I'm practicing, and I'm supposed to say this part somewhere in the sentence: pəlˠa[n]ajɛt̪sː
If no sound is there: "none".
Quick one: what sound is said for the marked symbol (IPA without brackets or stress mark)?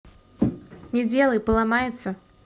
m